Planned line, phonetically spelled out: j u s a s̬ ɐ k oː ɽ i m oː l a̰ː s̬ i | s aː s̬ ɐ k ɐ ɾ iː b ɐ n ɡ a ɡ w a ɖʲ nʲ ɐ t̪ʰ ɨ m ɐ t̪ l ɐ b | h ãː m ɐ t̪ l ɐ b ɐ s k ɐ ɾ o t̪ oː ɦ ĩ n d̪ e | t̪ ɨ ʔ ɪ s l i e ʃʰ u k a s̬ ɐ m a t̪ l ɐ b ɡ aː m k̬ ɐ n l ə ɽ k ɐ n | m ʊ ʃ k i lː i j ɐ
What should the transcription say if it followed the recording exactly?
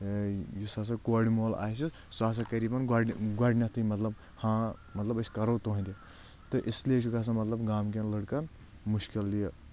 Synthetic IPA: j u s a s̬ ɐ k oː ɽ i m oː l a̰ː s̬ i | s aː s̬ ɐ k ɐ ɾ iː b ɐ n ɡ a ɡ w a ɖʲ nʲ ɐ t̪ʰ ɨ m ɐ t̪ l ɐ b | h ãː m ɐ t̪ l ɐ b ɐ s k ɐ ɾ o t̪ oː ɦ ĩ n d̪ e | t̪ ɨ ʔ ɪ s l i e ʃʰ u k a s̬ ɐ m ɐ t̪ l ɐ b ɡ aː m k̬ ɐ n l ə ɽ k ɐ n | m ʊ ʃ k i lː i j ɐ

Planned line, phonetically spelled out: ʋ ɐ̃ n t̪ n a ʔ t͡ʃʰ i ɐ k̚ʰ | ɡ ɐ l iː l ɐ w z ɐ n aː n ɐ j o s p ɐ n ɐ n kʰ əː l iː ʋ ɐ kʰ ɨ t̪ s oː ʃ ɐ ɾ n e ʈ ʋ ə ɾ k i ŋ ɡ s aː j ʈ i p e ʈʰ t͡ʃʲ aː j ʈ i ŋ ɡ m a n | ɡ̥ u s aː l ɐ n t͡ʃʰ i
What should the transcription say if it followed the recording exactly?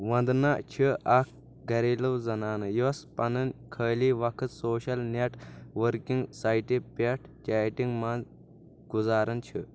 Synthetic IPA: ʋ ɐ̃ n d̪ n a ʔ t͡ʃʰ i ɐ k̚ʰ | ɡ ɐ ɾ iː l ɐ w z ɐ n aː n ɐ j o s p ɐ n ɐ n kʰ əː l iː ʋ ɐ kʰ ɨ t̪ s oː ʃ ɐ l n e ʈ ʋ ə ɾ k i ŋ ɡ s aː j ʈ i p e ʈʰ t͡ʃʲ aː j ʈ i ŋ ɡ m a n | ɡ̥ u z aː ɾ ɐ n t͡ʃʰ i

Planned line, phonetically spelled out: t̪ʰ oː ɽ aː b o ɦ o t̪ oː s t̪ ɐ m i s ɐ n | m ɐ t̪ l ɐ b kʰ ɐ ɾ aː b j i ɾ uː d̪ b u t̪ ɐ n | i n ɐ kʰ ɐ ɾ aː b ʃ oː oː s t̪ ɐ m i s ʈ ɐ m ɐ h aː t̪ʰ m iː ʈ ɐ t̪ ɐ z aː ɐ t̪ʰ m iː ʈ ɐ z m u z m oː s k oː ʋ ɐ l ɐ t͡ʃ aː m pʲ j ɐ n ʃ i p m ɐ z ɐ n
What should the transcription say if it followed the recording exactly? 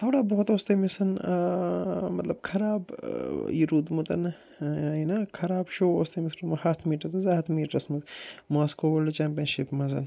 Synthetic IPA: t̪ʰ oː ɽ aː b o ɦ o t̪ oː s t̪ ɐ m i s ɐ n | m ɐ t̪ l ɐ b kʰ ɐ ɾ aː b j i ɾ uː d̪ m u t̪ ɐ n | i n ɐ kʰ ɐ ɾ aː b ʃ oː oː s t̪ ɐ m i s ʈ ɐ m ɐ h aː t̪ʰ m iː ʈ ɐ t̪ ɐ z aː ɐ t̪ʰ m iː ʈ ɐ s m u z m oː s k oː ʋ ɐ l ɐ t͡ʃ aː m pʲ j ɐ n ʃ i p m ɐ z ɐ n

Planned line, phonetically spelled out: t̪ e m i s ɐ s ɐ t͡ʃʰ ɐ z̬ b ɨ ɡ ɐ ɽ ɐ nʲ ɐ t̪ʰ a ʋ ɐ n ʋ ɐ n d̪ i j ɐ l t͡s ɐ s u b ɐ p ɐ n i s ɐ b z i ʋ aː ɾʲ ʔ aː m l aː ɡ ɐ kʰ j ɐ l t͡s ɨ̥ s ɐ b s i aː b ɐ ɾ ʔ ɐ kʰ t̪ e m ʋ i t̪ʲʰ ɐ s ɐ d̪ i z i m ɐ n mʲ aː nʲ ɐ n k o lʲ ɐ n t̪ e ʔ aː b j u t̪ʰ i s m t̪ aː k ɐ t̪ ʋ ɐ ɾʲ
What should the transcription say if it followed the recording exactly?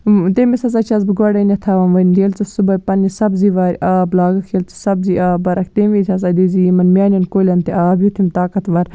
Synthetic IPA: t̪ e m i s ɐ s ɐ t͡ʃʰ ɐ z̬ b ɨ ɡ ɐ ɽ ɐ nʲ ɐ t̪ʰ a ʋ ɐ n ʋ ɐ n d̪ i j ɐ l t͡s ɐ s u b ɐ p ɐ n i s ɐ b z i ʋ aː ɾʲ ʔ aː b l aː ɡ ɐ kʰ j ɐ l t͡s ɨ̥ s ɐ b z i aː b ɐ ɾ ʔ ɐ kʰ t̪ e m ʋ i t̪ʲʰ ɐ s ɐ d̪ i z i m ɐ n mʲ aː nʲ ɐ n k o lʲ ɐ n t̪ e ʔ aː b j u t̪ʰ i m t̪ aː k ɐ t̪ ʋ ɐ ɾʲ

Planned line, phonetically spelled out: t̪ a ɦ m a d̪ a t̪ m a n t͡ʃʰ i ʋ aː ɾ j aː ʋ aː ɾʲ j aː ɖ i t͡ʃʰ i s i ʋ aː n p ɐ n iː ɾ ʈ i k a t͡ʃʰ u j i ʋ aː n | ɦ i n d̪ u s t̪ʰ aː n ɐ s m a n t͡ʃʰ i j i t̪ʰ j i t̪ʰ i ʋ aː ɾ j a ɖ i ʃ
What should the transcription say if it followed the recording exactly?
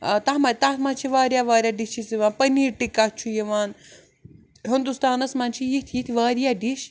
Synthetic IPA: t̪ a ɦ m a t̪ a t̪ m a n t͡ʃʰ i ʋ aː ɾ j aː ʋ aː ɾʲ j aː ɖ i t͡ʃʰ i s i ʋ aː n p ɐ n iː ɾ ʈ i k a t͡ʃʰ u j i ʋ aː n | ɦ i n d̪ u s t̪ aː n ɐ s m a n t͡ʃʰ i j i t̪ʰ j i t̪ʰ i ʋ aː ɾ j a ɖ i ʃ

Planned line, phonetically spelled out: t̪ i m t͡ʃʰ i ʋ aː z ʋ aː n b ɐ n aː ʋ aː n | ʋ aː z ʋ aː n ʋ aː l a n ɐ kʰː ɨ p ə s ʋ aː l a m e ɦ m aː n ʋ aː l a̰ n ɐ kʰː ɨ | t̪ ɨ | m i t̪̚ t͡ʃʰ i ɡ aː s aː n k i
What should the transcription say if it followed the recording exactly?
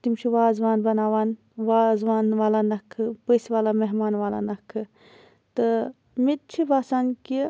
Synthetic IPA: t̪ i m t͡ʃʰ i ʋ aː z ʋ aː n b ɐ n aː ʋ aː n | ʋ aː z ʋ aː n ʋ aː l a n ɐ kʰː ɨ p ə s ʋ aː l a m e ɦ m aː n ʋ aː l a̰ n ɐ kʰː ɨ | t̪ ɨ | m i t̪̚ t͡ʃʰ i b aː s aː n k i

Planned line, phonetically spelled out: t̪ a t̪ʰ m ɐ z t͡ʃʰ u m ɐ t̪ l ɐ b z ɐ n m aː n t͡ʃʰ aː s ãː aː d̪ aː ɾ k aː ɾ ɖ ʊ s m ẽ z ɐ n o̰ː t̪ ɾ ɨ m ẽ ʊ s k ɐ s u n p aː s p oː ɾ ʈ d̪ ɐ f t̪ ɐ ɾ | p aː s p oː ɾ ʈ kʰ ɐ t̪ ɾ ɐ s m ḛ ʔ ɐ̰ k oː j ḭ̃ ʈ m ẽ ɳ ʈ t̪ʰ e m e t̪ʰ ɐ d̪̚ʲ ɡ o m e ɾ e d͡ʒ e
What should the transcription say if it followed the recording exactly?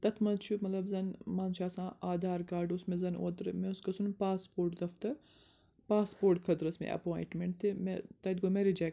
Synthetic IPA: t̪ ɐ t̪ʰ m ɐ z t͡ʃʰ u m ɐ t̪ l ɐ b z ɐ n m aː n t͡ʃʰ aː s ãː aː d̪ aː ɾ k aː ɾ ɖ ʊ s m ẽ z ɐ n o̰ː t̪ ɾ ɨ m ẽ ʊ s k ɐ s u n p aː s p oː ɾ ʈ d̪ ɐ f t̪ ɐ ɾ | p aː s p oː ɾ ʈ kʰ ɐ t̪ ɾ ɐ s m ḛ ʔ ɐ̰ p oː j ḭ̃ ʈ m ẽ ɳ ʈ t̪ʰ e m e t̪ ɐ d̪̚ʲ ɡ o m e ɾ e d͡ʒ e

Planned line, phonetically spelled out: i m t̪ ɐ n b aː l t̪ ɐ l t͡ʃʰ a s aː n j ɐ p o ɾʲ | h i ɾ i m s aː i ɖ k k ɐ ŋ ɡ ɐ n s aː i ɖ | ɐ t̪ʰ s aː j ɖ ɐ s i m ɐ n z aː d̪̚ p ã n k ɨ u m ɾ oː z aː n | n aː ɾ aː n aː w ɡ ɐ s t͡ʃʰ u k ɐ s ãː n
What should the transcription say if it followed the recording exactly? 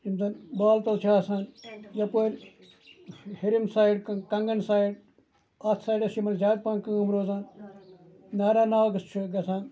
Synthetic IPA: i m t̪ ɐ n b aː l t̪ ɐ l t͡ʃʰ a s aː n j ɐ p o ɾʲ | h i ɾ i m s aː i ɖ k k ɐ ŋ ɡ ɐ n s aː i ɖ | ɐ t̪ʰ s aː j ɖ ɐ s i m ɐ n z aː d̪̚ p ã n k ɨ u m ɾ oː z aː n | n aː ɾ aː n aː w ɡ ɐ s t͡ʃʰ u ɡ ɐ s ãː n

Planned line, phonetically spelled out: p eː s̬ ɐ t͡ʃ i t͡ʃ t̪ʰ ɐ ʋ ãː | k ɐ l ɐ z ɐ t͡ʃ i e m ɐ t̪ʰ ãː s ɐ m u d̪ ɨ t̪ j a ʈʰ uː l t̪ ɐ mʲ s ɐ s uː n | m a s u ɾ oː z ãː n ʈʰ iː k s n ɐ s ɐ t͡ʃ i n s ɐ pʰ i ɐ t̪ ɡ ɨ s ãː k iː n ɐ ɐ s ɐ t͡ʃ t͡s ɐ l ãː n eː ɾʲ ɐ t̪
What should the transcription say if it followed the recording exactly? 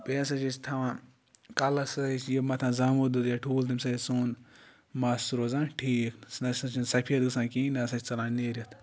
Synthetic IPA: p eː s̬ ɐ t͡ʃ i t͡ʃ t̪ʰ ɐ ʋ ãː | k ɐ l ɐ s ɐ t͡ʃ j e m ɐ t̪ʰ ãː z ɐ m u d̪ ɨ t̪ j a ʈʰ uː l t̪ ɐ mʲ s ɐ s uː n | m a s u ɾ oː z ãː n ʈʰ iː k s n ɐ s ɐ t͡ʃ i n s ɐ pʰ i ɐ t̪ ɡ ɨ s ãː k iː n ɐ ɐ s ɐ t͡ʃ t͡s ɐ l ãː n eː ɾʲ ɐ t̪

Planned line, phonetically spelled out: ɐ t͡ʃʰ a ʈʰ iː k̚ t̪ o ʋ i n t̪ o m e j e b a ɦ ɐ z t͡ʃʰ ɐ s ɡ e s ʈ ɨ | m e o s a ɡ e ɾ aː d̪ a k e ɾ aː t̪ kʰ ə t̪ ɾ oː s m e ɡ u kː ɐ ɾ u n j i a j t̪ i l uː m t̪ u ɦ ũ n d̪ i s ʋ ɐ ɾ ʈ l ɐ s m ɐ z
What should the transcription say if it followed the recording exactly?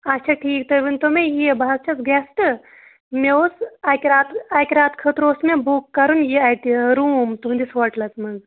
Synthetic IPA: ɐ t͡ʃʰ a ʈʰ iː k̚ t̪ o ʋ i n t̪ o m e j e b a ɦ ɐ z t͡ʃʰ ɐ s ɡ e s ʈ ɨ | m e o s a k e ɾ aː t̪ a k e ɾ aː t̪ kʰ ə t̪ ɾ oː s m e b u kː ɐ ɾ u n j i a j t̪ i ɾ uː m t̪ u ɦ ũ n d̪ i s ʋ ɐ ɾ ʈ l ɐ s m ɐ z

